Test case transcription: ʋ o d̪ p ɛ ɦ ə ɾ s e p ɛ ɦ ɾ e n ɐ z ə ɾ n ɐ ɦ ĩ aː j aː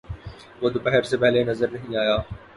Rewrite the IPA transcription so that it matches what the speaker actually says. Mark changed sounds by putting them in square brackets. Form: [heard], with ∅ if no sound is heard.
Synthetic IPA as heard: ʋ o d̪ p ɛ ɦ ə ɾ s e p ɛ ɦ [l] e n ɐ z ə ɾ n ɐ ɦ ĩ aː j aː